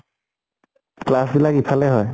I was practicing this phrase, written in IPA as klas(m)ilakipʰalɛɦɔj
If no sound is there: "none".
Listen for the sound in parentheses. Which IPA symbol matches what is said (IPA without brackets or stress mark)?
b